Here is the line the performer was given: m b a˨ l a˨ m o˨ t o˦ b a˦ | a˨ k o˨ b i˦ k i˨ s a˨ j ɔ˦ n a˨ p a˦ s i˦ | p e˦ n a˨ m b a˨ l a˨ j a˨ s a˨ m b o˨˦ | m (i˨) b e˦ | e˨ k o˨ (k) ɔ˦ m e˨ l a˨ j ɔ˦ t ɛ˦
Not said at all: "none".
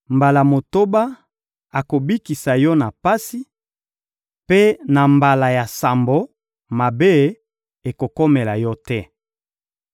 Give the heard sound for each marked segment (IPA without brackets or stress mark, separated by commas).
a˨, k